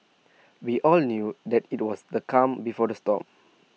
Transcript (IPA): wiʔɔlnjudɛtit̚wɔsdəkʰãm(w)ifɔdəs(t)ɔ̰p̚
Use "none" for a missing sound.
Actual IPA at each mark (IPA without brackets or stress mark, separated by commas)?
b, t